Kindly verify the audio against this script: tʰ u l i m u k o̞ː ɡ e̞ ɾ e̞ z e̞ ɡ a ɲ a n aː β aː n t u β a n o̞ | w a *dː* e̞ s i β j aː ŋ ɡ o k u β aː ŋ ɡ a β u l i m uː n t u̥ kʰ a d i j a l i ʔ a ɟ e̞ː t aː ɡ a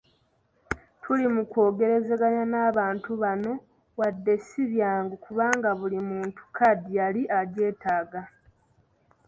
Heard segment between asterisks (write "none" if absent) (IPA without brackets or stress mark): dː